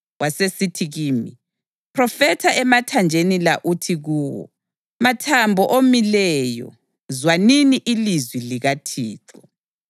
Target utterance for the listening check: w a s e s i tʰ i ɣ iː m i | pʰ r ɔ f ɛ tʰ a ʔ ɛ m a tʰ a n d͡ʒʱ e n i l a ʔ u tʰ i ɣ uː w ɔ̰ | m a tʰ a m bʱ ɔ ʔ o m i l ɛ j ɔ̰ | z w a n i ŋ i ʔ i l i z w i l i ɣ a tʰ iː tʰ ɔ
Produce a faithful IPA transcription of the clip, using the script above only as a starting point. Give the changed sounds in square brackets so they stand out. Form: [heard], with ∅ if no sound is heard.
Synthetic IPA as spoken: w a s e s i tʰ i ɣ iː m i | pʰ r ɔ f ɛ tʰ a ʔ ɛ m a tʰ a n d͡ʒʱ e n i l a ʔ u tʰ i ɣ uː w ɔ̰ | m a tʰ a m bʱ ɔ ʔ o m i l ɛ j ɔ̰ | z w a n i [n] i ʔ i l i z w i l i ɣ a tʰ iː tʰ ɔ